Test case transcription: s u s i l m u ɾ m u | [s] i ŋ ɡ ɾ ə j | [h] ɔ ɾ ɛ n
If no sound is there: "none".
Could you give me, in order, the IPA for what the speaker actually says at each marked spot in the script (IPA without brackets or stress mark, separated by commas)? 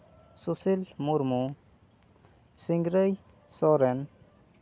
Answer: s, s